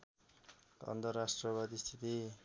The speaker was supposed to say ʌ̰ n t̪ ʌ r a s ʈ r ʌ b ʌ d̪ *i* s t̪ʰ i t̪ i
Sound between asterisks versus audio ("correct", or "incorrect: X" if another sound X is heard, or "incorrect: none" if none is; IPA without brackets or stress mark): correct